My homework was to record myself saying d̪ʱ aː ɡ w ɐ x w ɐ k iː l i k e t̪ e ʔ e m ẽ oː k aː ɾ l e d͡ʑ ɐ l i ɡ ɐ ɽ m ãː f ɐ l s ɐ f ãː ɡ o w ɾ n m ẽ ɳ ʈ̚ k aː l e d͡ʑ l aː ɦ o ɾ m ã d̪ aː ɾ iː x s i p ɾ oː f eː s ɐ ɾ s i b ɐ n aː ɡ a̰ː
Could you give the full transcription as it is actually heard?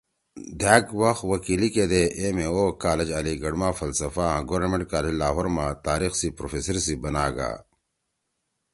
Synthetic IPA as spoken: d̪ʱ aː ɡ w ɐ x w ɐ k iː l i k e d̪ e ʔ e m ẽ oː k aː l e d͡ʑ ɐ l i ɡ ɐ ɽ m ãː f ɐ l s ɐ f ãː ɡ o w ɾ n m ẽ ɳ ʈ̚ k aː l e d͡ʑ l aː ɦ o ɾ m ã t̪ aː ɾ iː x s i p ɾ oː f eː s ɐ ɾ s i b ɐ n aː ɡ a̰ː